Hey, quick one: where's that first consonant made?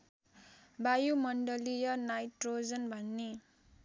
lips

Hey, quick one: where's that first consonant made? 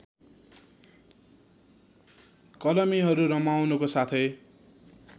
velum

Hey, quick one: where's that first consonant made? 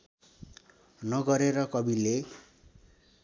tongue tip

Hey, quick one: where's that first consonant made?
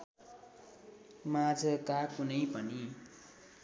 lips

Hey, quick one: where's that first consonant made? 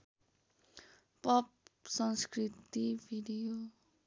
lips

